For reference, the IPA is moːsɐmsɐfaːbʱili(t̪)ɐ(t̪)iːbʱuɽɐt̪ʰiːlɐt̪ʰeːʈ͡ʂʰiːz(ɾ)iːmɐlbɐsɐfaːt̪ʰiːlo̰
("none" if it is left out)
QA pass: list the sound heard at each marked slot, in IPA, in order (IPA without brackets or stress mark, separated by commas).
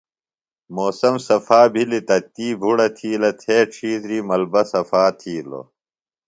t̪, t̪, ɾ